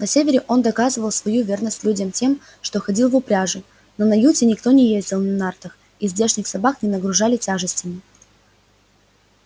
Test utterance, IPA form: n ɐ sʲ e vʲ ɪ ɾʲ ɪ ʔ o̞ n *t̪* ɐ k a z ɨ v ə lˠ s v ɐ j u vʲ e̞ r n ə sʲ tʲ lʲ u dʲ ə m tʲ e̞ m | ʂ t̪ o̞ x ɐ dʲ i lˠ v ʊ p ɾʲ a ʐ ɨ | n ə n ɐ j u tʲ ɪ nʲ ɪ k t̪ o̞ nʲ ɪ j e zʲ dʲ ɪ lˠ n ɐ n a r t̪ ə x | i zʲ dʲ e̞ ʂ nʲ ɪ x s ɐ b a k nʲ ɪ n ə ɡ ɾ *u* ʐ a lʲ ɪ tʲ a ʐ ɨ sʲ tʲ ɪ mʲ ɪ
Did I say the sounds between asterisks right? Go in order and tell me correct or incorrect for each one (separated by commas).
incorrect, incorrect